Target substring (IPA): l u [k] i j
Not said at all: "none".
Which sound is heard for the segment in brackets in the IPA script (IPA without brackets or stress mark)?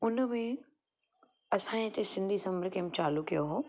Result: k